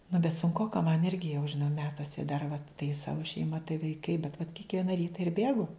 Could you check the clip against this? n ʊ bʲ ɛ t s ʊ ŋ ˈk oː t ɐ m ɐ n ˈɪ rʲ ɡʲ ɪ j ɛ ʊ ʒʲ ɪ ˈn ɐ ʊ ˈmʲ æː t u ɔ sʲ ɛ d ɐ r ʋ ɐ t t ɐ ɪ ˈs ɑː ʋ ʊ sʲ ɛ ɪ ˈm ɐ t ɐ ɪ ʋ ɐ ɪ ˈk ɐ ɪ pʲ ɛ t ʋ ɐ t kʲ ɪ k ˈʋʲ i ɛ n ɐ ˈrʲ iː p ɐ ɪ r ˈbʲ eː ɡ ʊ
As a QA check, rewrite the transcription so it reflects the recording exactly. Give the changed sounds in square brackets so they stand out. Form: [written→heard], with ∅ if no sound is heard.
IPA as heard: n ʊ bʲ ɛ t s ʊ ŋ ˈk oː [t→k] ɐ m ɐ n ˈɪ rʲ ɡʲ ɪ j ɛ ʊ ʒʲ ɪ ˈn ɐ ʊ ˈmʲ æː t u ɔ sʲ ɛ d ɐ r ʋ ɐ t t ɐ ɪ ˈs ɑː ʋ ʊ [sʲ→ʃʲ] ɛ ɪ ˈm ɐ t ɐ ɪ ʋ ɐ ɪ ˈk ɐ ɪ [pʲ→bʲ] ɛ t ʋ ɐ t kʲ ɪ k ˈʋʲ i ɛ n ɐ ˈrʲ iː [p→t] ɐ ɪ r ˈbʲ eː ɡ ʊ